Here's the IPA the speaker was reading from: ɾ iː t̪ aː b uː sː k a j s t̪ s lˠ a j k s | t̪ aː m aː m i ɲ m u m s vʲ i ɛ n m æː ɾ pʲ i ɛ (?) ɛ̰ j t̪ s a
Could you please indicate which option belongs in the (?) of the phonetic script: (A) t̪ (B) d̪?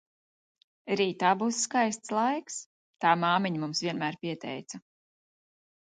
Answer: A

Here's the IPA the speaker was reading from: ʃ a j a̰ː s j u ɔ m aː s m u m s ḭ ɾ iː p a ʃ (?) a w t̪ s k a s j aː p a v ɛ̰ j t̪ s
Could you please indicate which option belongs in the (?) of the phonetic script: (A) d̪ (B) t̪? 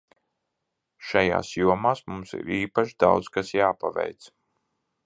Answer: A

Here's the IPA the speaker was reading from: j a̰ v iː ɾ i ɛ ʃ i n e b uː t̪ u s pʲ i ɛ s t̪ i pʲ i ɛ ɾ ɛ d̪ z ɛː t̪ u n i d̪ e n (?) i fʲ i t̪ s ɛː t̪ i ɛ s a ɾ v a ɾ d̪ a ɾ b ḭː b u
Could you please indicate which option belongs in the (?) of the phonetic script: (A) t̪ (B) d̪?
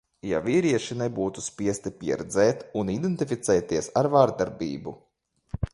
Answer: A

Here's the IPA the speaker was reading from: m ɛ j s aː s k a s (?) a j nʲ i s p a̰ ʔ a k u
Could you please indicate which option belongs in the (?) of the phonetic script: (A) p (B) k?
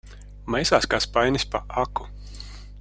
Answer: A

